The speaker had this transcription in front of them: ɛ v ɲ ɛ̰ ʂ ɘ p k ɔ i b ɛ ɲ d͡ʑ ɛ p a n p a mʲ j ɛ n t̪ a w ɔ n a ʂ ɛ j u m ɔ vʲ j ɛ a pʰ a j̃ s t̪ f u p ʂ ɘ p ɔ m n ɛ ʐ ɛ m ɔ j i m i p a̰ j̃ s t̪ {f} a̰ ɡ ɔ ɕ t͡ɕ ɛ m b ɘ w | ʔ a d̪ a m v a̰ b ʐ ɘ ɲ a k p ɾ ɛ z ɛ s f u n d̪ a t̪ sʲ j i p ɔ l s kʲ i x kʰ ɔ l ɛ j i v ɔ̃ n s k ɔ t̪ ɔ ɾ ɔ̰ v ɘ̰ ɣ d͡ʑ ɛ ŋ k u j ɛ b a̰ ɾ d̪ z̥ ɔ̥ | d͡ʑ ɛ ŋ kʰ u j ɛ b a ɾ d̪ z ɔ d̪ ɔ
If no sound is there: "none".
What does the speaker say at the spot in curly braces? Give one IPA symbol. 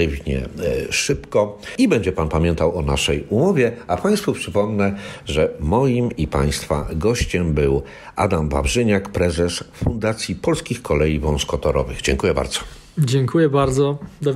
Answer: f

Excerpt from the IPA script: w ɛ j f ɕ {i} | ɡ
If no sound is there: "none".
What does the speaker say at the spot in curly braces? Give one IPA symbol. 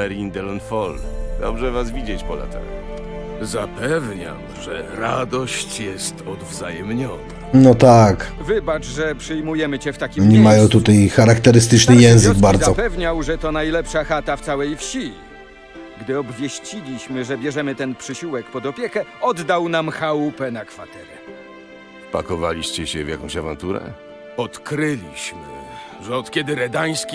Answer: i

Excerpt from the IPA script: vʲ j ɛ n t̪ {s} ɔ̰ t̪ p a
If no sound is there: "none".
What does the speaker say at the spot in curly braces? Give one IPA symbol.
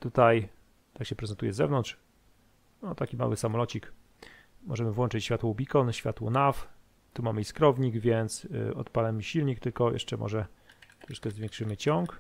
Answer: s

